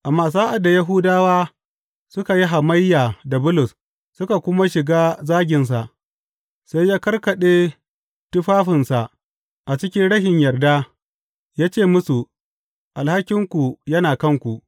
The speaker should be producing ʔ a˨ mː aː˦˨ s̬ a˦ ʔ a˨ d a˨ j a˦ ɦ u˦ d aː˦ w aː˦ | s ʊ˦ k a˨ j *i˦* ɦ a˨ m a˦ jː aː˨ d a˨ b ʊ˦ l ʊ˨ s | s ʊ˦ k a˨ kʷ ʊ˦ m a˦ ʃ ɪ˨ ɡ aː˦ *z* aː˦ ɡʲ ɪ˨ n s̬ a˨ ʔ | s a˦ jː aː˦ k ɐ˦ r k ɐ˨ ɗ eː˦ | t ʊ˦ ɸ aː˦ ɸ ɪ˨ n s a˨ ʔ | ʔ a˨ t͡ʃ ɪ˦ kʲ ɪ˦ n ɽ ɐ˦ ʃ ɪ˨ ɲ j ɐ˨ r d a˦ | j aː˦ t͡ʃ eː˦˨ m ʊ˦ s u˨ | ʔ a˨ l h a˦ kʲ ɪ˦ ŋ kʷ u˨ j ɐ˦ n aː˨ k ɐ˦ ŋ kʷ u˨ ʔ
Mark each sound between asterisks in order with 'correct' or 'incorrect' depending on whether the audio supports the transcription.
correct, correct

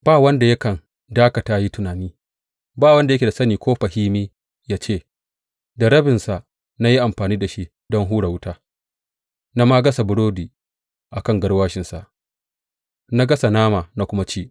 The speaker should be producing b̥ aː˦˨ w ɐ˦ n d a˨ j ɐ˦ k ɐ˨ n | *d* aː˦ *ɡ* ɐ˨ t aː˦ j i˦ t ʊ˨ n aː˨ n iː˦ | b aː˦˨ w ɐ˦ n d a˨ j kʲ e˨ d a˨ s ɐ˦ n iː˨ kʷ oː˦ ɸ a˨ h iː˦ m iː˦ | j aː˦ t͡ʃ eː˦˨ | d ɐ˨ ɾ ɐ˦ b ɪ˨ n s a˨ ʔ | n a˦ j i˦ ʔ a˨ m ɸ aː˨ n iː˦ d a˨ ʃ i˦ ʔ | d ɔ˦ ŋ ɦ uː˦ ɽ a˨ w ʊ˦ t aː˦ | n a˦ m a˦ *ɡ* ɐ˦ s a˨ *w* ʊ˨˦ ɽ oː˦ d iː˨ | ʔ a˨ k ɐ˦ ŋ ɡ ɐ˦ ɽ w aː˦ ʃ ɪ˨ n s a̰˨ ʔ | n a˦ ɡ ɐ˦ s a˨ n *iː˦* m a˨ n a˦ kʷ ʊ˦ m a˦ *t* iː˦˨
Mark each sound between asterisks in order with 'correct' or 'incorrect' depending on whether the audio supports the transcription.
correct, incorrect: k, correct, incorrect: b, incorrect: aː˦, incorrect: t͡ʃ

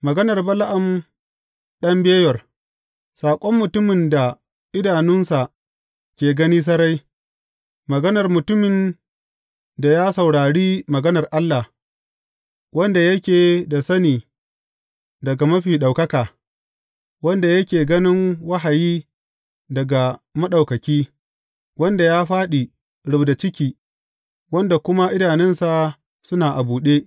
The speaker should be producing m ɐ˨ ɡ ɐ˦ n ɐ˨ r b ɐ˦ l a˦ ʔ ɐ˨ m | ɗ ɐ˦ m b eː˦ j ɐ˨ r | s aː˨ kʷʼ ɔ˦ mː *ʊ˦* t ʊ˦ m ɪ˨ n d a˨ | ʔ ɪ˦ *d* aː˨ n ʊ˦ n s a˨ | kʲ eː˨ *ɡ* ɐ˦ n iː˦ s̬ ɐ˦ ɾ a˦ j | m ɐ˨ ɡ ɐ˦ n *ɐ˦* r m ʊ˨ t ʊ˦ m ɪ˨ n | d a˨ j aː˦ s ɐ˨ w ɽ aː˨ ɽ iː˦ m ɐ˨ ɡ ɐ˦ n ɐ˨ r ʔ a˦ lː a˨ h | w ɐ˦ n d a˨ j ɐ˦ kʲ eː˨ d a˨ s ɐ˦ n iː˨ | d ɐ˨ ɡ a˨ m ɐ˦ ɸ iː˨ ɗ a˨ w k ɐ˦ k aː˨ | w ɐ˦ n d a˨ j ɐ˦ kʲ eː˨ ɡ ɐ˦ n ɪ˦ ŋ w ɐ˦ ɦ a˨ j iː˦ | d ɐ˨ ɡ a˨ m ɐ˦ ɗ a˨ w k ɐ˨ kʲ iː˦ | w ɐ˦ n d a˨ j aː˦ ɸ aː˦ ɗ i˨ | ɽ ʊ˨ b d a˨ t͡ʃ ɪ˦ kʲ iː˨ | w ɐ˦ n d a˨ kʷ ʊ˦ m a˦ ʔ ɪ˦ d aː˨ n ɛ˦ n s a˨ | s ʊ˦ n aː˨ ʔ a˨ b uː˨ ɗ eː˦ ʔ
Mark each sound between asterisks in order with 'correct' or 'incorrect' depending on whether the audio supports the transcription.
incorrect: ʊ˨, correct, correct, incorrect: ɐ˨

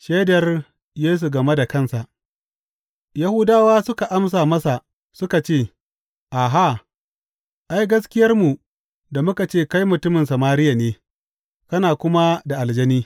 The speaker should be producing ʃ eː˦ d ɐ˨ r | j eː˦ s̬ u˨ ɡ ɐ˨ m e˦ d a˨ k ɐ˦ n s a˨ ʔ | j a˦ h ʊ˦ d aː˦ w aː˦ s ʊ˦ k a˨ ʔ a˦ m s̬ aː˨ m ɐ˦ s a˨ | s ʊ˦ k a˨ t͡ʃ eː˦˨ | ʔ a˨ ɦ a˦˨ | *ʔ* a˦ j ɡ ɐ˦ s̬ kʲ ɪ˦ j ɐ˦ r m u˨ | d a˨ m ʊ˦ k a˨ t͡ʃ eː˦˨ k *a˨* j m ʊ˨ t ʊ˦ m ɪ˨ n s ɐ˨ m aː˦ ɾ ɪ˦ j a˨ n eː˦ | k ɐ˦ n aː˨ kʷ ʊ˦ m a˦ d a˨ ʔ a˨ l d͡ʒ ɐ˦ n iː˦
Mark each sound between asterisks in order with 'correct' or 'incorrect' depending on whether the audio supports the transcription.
correct, incorrect: a˦

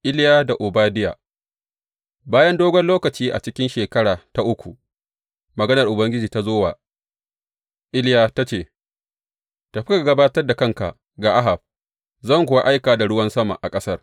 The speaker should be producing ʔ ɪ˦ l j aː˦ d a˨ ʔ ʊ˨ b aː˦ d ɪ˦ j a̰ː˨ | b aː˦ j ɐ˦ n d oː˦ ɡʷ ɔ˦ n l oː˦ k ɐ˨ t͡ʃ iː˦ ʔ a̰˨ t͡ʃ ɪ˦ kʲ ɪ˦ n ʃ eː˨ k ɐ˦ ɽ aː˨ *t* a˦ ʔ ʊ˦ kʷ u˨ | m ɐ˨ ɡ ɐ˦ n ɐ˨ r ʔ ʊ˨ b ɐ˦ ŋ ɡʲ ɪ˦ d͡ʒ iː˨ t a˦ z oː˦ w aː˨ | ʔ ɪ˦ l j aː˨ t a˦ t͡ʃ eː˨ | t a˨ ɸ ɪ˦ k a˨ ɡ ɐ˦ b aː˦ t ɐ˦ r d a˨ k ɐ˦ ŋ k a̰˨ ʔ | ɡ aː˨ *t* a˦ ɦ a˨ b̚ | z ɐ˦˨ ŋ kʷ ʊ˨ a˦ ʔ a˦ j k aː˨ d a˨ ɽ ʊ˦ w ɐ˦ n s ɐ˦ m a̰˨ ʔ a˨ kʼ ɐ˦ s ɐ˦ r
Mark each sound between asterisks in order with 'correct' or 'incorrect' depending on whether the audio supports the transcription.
correct, incorrect: ʔ

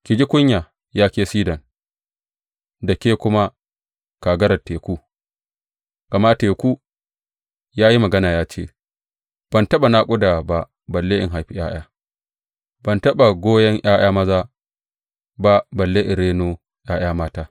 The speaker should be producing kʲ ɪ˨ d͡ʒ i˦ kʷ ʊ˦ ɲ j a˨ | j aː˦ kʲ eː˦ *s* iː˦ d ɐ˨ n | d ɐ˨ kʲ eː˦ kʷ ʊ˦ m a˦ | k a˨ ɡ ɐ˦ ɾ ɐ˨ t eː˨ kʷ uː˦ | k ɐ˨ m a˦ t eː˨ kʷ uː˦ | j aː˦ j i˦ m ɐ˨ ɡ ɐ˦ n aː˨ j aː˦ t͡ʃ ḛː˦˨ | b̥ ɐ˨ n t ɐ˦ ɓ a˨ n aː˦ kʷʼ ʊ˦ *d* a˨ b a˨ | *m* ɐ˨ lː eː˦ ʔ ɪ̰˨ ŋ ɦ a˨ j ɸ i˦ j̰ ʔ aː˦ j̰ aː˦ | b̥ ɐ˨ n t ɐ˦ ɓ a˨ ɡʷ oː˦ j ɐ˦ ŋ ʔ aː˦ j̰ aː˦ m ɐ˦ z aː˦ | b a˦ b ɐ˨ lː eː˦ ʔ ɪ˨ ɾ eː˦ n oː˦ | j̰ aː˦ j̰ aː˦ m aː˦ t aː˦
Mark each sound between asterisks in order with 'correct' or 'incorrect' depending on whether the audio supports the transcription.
correct, correct, incorrect: b

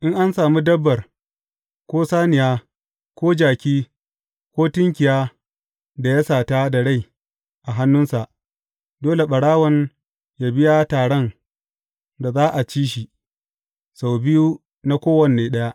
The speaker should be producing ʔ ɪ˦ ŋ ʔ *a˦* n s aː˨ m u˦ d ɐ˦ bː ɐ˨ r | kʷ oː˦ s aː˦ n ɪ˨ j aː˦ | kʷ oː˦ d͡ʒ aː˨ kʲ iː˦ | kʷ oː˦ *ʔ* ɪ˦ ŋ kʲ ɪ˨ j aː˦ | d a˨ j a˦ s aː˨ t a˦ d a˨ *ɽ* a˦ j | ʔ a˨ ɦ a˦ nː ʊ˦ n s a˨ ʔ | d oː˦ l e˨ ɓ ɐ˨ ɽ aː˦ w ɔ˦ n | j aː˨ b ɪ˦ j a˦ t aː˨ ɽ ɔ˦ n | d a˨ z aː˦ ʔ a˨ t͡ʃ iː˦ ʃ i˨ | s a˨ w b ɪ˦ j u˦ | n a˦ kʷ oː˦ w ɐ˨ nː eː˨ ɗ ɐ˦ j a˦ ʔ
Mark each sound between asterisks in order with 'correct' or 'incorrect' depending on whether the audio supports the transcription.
correct, incorrect: t, correct

